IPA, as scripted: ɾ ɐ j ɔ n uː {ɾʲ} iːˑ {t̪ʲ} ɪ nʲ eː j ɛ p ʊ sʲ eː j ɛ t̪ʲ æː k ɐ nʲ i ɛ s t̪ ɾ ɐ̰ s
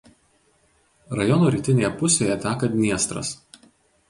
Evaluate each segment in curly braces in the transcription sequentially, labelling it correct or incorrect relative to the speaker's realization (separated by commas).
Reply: correct, correct